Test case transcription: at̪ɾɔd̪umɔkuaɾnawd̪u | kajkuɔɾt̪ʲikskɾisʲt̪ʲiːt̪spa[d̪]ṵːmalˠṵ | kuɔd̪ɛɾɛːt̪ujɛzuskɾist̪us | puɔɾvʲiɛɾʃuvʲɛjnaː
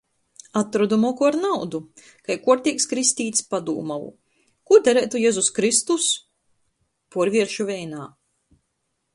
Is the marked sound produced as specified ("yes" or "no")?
yes